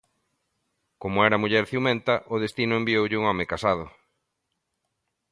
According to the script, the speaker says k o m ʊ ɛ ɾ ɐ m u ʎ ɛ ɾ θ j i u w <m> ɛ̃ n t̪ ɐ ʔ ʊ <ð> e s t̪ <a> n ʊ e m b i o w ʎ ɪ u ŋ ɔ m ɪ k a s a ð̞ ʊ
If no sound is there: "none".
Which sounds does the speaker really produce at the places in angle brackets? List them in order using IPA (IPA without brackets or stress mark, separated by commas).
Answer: m, ð, i